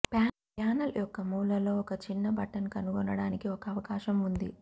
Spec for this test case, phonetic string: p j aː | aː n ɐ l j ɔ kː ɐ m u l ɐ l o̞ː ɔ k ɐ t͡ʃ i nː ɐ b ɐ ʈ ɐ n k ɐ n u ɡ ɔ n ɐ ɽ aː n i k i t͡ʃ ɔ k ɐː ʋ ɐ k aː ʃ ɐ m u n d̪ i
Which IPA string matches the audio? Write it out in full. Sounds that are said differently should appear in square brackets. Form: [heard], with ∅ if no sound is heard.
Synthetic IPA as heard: p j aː | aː n ɐ l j ɔ kː ɐ m [uː] l ɐ l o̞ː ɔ k ɐ t͡ʃ i nː ɐ b ɐ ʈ ɐ n k ɐ n u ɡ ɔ n ɐ ɽ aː n i k i [∅] ɔ k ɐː ʋ ɐ k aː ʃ ɐ m u n d̪ i